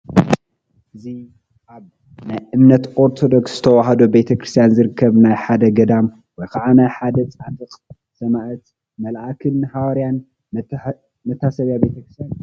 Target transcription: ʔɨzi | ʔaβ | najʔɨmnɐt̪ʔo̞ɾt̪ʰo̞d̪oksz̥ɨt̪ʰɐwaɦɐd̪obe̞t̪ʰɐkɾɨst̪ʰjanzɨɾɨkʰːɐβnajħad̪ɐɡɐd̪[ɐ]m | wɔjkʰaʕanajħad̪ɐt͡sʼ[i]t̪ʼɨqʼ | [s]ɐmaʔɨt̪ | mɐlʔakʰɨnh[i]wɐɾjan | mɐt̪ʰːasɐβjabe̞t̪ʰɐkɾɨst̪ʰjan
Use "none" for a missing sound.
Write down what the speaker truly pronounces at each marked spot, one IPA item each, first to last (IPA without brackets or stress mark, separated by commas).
a, a, s, a